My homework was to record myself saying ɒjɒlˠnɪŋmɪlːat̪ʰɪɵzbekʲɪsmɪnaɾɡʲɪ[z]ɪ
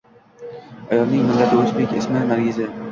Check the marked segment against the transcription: correct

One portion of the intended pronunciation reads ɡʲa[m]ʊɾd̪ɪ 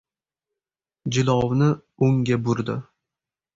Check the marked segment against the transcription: incorrect: b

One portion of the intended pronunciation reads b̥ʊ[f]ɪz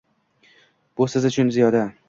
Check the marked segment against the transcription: incorrect: s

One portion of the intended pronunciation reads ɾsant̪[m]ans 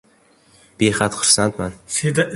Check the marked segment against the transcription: correct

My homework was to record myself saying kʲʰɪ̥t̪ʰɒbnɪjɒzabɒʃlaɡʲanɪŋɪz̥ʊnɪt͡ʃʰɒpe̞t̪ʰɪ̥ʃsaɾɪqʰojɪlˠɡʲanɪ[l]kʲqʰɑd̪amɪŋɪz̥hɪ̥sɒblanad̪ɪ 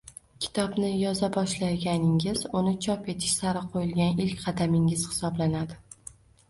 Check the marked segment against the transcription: correct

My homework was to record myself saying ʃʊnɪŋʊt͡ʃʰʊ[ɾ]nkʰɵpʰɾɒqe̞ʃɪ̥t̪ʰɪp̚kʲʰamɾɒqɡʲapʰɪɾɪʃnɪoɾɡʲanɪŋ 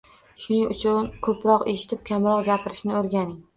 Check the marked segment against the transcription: incorrect: none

